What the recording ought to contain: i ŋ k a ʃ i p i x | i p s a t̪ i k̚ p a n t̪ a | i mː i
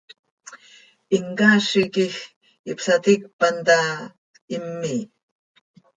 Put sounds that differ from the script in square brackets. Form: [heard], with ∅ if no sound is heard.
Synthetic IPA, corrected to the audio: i ŋ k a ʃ i [k] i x | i p s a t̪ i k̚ p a n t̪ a | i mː i